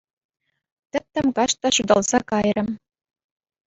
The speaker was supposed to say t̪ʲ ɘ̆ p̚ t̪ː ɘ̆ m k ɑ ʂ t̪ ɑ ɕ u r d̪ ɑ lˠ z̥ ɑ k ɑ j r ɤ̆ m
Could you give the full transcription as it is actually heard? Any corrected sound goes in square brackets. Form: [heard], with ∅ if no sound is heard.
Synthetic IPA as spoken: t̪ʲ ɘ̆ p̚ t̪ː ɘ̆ m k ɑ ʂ t̪ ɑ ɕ u [∅] d̪ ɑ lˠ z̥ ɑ k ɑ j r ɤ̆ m

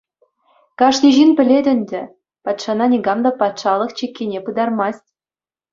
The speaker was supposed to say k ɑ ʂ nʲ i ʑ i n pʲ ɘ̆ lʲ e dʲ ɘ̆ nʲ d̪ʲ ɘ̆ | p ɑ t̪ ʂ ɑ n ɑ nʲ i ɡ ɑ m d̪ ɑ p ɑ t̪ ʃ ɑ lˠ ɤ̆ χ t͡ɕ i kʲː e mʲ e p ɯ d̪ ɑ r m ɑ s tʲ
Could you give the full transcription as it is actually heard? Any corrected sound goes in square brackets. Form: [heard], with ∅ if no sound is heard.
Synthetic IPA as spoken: k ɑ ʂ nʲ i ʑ i n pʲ ɘ̆ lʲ e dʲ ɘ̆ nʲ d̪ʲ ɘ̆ | p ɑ t̪ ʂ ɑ n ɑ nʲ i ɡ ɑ m d̪ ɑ p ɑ t̪ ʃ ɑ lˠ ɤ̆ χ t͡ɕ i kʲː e [nʲ] e p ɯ d̪ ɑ r m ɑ s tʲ

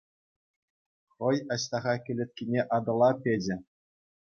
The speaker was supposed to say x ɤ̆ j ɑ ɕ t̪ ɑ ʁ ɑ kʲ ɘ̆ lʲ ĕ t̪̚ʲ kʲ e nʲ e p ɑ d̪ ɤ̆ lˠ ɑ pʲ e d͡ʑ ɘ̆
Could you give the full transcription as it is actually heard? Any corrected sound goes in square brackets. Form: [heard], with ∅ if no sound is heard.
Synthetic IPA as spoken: [χ] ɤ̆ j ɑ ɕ t̪ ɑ ʁ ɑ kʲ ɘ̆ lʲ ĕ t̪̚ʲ kʲ [i] nʲ e [ʔ] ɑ d̪ ɤ̆ lˠ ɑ pʲ e d͡ʑ ɘ̆

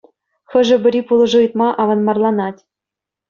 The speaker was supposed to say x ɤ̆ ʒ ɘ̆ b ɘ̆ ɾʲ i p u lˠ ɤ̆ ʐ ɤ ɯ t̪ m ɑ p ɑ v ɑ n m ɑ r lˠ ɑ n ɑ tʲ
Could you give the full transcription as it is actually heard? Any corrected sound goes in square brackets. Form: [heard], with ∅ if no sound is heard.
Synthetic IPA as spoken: x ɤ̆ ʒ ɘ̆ b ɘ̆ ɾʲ i p u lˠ ɤ̆ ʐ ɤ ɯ t̪ m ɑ [ʔ] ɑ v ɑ n m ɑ r lˠ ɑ n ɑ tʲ

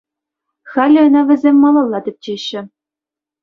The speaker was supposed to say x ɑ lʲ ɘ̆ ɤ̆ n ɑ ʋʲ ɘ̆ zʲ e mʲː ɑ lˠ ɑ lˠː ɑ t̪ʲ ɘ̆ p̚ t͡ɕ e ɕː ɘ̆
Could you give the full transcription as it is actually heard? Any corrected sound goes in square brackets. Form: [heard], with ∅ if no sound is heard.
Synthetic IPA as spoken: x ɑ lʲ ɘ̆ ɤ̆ n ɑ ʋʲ ɘ̆ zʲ e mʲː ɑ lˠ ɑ lˠː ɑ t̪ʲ ɘ̆ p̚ t͡ɕ e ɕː ɘ̆

